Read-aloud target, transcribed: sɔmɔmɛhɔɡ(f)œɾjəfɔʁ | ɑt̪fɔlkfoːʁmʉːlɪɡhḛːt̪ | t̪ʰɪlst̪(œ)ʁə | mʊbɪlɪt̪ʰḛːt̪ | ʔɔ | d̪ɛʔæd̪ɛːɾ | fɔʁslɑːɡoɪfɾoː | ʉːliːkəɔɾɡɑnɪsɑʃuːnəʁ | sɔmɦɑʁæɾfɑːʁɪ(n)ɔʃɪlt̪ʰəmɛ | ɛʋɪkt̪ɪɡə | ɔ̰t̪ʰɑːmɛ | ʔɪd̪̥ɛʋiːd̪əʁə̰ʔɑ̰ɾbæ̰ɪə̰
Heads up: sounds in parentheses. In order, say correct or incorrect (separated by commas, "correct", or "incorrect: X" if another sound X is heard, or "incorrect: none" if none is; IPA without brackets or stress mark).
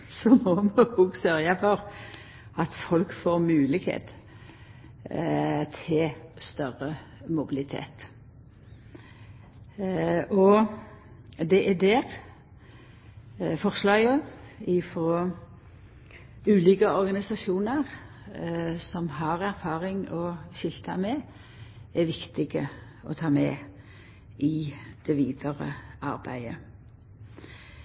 incorrect: s, correct, incorrect: ŋ